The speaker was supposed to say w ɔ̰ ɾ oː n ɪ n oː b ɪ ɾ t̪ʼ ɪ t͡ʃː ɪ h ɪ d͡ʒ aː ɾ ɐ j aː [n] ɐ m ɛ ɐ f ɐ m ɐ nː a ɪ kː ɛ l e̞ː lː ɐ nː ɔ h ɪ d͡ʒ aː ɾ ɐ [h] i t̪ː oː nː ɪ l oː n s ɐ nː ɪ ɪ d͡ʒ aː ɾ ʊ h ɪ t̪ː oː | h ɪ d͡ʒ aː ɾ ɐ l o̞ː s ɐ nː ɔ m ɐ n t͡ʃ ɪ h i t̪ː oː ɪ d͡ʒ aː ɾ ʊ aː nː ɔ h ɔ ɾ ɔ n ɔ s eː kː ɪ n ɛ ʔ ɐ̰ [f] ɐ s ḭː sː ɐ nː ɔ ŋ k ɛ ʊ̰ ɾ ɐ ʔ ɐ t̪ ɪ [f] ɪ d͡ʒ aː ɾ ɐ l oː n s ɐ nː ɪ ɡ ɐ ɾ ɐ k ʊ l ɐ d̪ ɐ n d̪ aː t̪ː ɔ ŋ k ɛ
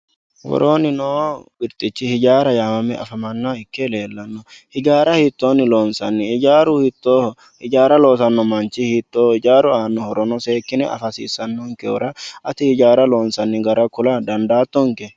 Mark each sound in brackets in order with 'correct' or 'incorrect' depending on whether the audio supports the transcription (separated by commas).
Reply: incorrect, correct, correct, incorrect